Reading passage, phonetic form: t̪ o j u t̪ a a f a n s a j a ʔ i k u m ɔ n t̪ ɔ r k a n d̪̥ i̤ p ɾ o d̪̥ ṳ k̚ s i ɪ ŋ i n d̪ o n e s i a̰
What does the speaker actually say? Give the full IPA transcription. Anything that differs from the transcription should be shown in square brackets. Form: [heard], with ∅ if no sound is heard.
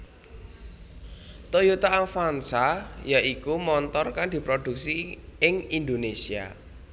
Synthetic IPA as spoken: t̪ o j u t̪ a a f a n s a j a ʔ i k u m ɔ n t̪ ɔ r k a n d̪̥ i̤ p ɾ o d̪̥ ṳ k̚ s i ɪ ŋ i n d̪ o n e s i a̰